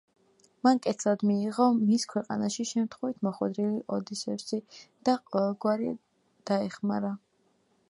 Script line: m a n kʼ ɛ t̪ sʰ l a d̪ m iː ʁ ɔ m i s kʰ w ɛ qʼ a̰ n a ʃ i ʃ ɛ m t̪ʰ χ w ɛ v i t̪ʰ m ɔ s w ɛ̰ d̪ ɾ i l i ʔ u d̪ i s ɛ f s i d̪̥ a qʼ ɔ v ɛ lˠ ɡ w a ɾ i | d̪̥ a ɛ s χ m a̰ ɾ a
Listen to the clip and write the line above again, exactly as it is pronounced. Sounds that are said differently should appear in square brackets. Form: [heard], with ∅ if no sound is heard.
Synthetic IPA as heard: m a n kʼ ɛ t̪ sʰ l a d̪ m iː ʁ ɔ m i s kʰ w ɛ qʼ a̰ n a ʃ i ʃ ɛ m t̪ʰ χ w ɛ v i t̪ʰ m ɔ [χ] w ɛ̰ d̪ ɾ i l i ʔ [ɔ] d̪ i s ɛ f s i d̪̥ a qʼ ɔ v ɛ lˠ ɡ w a ɾ i | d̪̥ a ɛ [∅] χ m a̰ ɾ a